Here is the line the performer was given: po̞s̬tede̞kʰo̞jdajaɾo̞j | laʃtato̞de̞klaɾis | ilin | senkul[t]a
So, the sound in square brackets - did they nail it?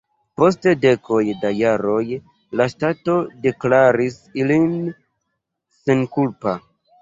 no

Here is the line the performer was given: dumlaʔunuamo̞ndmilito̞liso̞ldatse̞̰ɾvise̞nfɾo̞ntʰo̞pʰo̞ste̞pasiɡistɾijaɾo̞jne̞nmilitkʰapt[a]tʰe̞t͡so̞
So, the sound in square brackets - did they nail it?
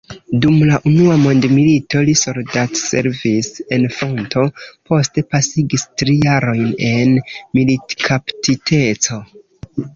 no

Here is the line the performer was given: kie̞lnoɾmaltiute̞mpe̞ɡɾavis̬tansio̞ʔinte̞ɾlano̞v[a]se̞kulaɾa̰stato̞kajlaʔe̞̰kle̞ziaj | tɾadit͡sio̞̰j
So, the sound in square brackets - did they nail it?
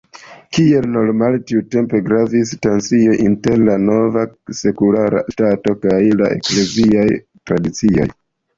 yes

